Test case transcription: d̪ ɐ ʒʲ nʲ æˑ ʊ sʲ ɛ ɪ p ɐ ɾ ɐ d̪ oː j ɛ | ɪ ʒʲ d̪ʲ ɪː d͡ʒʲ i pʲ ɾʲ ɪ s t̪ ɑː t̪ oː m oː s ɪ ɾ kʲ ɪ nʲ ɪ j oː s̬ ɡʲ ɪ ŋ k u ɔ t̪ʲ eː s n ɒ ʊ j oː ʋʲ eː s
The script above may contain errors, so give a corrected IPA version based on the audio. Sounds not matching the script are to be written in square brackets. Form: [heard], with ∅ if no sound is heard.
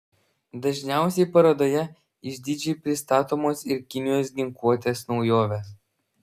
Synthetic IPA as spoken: d̪ ɐ ʒʲ nʲ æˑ ʊ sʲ ɛ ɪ p ɐ ɾ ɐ d̪ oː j ɛ | ɪ ʒʲ d̪ʲ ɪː d͡ʒʲ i pʲ ɾʲ ɪ s t̪ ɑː t̪ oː m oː s ɪ ɾ kʲ ɪ nʲ ɪ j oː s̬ ɡʲ ɪ ŋ k u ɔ t̪ʲ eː s n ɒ ʊ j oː ʋʲ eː s